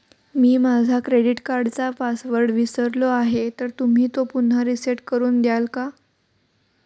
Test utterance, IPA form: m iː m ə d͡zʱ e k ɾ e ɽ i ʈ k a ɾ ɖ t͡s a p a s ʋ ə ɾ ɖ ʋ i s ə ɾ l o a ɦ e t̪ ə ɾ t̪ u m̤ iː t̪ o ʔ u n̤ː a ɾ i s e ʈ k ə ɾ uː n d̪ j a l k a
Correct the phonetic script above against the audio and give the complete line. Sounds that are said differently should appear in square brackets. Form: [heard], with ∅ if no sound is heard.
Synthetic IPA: m iː m [a] d͡zʱ [a] k ɾ e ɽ i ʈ k a ɾ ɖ t͡s a p a s ʋ ə ɾ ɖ ʋ i s ə ɾ l o a ɦ e t̪ ə ɾ t̪ u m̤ iː t̪ o [p] u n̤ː a ɾ i s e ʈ k ə ɾ uː n d̪ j a l k a